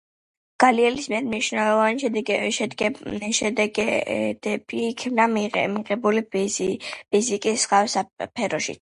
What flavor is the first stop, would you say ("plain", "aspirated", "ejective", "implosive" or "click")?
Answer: plain